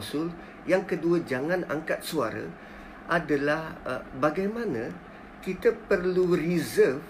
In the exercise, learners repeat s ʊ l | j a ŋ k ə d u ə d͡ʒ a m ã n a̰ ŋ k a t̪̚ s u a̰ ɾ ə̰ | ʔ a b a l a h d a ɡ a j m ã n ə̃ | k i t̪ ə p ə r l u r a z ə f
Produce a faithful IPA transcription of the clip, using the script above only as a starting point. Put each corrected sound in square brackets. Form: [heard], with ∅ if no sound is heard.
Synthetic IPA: s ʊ l | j a ŋ k ə d u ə d͡ʒ a [ŋ] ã n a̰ ŋ k a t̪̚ s u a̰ ɾ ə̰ | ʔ a [d] a l a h [b] a ɡ a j m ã n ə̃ | k i t̪ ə p ə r l u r [i] z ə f